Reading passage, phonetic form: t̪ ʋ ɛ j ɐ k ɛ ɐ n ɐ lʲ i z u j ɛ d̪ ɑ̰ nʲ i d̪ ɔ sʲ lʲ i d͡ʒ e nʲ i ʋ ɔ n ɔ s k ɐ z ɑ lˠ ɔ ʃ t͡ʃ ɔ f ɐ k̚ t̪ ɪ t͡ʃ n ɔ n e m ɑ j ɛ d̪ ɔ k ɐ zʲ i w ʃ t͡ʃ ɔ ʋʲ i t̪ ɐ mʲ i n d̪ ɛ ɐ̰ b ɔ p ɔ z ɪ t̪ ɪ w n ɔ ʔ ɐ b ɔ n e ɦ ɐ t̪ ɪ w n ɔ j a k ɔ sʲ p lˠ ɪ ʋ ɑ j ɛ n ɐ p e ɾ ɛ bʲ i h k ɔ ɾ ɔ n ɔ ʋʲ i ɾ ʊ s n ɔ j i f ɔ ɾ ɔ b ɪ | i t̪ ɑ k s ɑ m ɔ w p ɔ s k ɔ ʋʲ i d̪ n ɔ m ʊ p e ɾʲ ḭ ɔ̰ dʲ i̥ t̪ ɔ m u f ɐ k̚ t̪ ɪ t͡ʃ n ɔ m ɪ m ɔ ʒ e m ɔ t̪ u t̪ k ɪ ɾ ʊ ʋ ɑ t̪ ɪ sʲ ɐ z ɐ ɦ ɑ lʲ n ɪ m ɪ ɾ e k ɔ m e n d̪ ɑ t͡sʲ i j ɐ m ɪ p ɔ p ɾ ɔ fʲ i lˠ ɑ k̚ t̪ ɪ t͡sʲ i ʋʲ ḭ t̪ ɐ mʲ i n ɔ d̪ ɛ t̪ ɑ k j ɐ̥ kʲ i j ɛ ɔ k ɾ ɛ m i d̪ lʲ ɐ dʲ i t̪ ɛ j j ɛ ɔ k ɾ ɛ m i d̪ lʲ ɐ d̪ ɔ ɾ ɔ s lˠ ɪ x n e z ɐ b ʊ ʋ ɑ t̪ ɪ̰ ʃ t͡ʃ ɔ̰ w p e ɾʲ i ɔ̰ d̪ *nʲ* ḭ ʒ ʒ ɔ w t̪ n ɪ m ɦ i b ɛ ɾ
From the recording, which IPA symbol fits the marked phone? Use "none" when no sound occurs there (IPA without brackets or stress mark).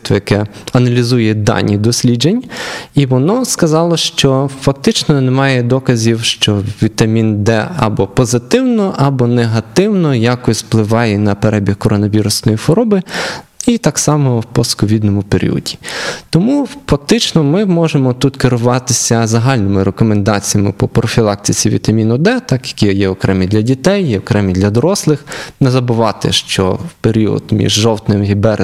mʲ